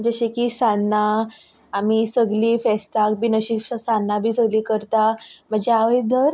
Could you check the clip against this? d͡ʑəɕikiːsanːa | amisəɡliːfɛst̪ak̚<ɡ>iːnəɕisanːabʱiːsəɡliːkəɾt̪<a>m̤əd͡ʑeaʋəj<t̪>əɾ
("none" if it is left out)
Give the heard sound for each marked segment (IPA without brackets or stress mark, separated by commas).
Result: b, a, d̪